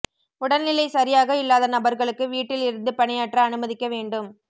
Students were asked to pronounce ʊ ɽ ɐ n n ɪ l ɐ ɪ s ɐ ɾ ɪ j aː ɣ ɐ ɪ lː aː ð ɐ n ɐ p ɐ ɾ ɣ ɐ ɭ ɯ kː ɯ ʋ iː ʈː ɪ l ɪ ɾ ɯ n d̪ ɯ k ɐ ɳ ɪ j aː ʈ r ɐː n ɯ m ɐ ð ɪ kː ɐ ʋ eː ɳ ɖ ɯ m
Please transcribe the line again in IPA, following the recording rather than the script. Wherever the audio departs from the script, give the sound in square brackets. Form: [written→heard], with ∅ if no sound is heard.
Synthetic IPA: ʊ ɽ ɐ n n ɪ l ɐ ɪ s ɐ ɾ ɪ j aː ɣ ɐ ɪ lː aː ð ɐ n ɐ [p→b] ɐ ɾ ɣ ɐ ɭ ɯ kː ɯ ʋ iː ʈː ɪ l ɪ ɾ ɯ n d̪ ɯ [k→p] ɐ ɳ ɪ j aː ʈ r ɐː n ɯ m ɐ ð ɪ kː ɐ ʋ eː ɳ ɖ ɯ m